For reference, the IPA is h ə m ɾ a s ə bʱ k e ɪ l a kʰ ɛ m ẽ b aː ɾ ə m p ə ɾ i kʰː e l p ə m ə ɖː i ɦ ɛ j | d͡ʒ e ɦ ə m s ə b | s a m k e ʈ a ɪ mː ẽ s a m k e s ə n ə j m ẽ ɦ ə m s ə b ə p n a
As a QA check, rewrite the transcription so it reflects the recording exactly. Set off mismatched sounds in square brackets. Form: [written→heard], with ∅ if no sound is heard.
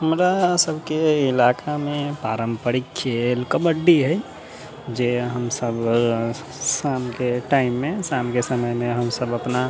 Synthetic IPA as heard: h ə m ɾ a s ə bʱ k e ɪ l a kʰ [ɛ→a] m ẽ [b→p] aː ɾ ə m p ə ɾ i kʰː e l [p→k] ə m ə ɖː i ɦ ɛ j | d͡ʒ e ɦ ə m s ə b | s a m k e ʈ a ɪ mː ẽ s a m k e s ə [n→m] ə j m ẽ ɦ ə m s ə b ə p n a